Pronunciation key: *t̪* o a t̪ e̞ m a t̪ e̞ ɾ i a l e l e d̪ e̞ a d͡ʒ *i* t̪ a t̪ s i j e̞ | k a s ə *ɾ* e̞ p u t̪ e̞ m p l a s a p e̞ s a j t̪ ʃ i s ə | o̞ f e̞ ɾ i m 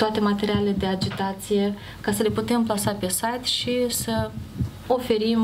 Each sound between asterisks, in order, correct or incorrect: correct, correct, incorrect: l

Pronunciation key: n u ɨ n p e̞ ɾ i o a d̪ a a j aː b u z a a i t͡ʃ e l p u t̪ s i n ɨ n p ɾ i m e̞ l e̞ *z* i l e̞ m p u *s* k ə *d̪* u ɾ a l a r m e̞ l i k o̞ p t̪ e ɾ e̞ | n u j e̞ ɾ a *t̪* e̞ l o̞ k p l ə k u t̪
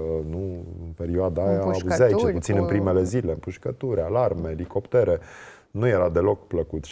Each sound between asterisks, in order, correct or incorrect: correct, incorrect: ʃ, incorrect: t̪, incorrect: d̪

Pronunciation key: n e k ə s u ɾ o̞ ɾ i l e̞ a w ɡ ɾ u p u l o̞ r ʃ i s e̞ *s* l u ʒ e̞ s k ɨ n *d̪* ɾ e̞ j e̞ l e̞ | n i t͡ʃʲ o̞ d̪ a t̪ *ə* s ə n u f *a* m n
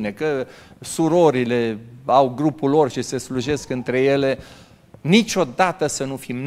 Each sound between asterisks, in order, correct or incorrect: correct, incorrect: t̪, correct, incorrect: i

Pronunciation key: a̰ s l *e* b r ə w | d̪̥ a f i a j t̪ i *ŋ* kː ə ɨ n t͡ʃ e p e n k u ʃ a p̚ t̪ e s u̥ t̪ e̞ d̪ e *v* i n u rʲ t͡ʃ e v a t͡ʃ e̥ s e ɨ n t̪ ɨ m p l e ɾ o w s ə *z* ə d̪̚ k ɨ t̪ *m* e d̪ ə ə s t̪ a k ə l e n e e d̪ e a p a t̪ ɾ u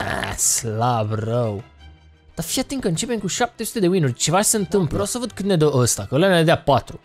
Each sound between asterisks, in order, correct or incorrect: incorrect: a, correct, incorrect: w, incorrect: v, incorrect: n

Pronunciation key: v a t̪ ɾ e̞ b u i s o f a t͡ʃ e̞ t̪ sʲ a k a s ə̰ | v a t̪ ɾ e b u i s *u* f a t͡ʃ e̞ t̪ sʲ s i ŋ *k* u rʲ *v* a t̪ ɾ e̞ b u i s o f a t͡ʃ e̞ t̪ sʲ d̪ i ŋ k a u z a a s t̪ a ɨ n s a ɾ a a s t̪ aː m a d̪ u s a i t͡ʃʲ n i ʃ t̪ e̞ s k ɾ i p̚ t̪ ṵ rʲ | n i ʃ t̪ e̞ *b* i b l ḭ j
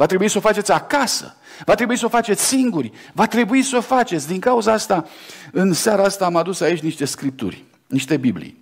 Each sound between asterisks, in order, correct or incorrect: incorrect: o, incorrect: ɡ, correct, correct

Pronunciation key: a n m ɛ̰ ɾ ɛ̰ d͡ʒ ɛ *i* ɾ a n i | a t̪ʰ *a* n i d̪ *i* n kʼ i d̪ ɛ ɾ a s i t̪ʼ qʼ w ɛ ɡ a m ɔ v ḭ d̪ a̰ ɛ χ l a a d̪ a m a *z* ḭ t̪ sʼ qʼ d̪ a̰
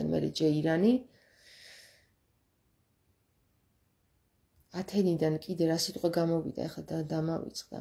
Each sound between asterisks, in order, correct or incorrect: correct, incorrect: ɛ, incorrect: a, incorrect: v

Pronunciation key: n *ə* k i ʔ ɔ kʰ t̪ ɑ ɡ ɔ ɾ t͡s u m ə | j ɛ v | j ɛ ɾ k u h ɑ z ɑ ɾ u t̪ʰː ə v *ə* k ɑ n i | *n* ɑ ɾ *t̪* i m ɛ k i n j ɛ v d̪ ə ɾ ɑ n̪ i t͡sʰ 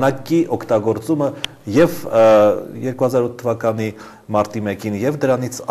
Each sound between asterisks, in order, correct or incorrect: incorrect: ɑ, incorrect: ɑ, incorrect: m, correct

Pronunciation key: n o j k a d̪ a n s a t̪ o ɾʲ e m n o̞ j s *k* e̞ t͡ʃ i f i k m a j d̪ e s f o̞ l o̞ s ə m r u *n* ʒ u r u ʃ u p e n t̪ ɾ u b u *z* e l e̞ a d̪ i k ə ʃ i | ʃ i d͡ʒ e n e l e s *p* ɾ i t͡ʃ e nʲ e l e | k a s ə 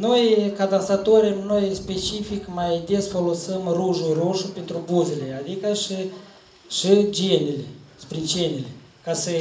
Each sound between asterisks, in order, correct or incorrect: incorrect: p, incorrect: none, correct, correct

